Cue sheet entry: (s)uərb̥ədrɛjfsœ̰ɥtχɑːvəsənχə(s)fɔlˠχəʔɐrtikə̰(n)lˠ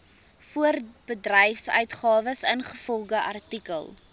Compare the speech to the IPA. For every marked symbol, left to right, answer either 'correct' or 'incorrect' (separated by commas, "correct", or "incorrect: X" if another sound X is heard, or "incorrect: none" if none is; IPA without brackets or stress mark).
incorrect: f, incorrect: none, incorrect: none